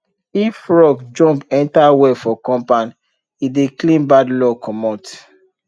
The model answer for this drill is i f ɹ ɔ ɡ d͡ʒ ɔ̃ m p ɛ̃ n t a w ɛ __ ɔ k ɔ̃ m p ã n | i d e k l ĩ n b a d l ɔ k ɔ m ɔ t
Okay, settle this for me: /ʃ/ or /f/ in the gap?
f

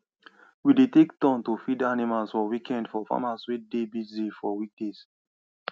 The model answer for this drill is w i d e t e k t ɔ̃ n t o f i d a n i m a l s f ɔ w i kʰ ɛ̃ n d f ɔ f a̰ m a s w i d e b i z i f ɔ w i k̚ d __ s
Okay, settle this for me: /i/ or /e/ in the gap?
e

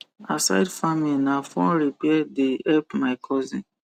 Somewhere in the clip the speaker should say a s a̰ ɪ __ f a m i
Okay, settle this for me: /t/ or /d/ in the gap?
d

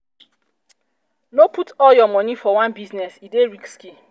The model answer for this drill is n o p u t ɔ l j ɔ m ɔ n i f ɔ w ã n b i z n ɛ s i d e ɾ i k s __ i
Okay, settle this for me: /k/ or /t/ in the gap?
k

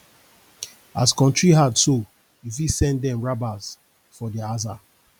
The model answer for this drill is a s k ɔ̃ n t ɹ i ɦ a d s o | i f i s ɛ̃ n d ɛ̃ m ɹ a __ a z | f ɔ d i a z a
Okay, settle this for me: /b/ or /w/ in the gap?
b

